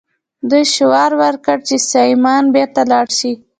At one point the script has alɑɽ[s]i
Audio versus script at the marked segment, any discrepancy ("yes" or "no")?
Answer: yes